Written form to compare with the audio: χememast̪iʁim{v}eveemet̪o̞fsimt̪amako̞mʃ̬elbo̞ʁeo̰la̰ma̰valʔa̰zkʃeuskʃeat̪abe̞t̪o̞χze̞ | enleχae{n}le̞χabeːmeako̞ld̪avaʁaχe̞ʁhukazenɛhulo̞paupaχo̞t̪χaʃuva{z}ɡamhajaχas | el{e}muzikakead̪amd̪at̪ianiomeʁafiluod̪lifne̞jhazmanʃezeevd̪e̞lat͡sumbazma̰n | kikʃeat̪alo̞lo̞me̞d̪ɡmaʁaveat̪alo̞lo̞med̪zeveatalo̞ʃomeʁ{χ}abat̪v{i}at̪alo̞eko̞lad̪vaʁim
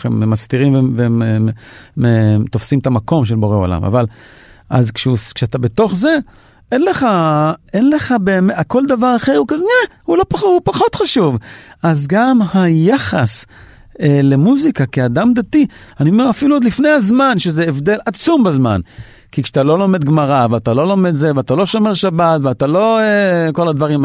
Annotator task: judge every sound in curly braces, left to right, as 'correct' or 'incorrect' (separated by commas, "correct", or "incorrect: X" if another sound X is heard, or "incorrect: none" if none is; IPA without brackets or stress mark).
correct, correct, correct, correct, incorrect: ʃ, incorrect: e